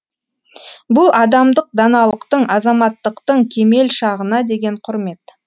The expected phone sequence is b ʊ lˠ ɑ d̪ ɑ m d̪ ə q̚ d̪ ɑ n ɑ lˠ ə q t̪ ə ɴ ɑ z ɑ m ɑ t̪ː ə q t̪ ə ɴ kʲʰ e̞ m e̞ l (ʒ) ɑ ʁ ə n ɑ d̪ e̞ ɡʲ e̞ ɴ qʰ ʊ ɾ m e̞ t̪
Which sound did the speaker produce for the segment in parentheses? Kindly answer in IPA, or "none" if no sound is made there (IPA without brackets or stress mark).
ʃ